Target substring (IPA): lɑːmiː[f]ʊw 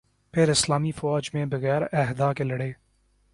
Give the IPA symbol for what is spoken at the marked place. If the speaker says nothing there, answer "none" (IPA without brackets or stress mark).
f